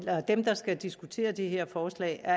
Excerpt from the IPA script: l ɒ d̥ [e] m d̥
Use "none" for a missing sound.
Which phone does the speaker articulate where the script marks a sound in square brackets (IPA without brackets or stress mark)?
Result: e